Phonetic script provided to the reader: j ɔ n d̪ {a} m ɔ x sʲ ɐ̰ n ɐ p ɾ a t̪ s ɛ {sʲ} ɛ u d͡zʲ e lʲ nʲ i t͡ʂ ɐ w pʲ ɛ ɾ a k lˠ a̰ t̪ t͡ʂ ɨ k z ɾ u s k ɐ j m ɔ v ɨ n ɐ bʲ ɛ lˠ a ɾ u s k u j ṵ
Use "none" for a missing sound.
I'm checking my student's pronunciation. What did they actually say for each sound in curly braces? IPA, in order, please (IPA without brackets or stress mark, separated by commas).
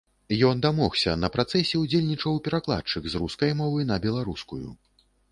a, sʲ